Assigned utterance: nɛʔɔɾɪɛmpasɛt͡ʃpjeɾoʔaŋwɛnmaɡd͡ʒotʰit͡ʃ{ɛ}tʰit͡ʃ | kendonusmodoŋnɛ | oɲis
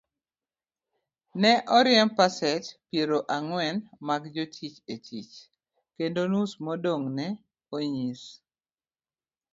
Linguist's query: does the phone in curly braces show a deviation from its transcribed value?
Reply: yes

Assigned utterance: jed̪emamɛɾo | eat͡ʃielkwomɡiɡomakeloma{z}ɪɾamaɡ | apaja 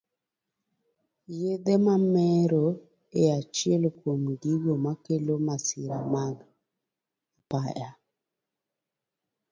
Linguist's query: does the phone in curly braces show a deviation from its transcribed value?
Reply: yes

